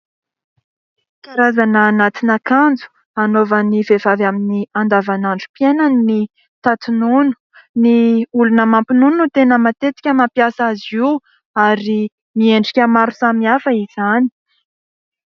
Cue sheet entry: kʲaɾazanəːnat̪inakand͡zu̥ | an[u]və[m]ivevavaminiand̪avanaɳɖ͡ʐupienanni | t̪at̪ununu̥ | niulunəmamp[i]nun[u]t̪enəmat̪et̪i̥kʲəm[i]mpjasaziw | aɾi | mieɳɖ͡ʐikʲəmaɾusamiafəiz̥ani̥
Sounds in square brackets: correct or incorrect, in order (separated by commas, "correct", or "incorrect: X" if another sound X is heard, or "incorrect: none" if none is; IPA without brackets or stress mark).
incorrect: o, incorrect: n, correct, correct, incorrect: a